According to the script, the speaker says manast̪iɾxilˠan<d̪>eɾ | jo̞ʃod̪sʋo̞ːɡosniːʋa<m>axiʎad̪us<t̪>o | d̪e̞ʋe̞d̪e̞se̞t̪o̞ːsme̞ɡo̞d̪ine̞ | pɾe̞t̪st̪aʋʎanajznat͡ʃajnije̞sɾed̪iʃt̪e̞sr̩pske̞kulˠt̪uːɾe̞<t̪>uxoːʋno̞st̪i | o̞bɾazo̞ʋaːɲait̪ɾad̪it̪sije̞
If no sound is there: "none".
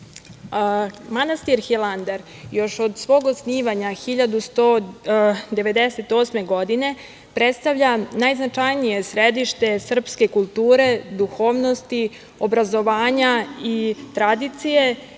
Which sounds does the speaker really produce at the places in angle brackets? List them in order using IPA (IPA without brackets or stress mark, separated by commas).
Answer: d̪, ɲ, t̪, d̪